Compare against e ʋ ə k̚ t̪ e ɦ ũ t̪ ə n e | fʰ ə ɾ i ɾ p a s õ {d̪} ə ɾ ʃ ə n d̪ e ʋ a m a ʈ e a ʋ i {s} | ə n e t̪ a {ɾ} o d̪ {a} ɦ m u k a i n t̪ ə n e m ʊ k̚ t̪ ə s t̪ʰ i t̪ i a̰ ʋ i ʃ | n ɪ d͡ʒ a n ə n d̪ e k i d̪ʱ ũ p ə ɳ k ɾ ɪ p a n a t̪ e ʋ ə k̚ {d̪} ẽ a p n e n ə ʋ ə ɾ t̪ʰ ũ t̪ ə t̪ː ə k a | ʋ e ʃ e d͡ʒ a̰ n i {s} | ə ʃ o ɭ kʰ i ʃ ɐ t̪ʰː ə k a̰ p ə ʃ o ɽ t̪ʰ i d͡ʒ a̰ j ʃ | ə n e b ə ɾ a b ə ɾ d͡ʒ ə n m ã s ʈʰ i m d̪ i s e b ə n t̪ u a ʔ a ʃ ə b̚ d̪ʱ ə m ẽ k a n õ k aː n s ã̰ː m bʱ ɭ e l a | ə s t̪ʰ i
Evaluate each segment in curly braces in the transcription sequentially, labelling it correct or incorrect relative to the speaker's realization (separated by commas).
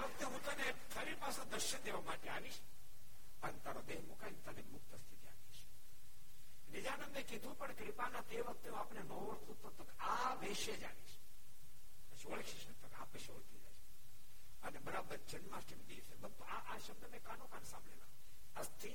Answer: correct, incorrect, correct, incorrect, incorrect, incorrect